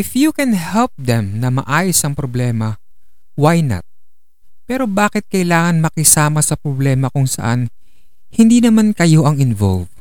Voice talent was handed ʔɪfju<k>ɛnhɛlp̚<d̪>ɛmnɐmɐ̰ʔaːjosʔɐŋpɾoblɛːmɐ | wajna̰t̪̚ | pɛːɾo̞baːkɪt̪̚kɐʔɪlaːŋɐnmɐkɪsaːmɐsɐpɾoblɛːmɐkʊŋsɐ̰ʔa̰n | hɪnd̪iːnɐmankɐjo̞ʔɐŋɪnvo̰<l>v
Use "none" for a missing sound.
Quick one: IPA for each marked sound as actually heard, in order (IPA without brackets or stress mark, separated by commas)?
k, d̪, l